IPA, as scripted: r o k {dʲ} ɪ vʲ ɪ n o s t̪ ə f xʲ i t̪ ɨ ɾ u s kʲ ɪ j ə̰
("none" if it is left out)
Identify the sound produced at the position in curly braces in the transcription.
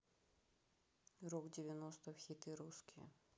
dʲ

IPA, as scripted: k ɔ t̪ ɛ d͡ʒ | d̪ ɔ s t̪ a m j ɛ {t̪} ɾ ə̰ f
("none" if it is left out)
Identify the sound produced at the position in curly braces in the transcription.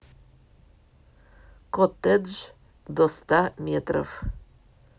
t̪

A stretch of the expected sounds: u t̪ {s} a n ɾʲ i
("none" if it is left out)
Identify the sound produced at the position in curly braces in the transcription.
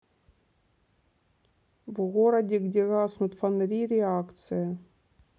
f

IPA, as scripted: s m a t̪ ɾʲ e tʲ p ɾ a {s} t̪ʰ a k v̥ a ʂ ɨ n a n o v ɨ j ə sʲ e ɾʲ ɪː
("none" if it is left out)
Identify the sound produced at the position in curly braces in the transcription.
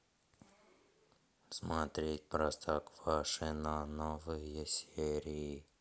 s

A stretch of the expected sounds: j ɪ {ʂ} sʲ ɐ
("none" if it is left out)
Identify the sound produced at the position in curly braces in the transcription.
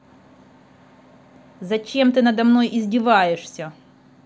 ʂ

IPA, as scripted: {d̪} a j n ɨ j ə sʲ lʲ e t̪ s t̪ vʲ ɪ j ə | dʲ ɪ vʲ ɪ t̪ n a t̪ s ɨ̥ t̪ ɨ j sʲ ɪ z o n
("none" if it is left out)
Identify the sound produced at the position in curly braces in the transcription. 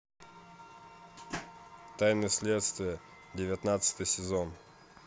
t̪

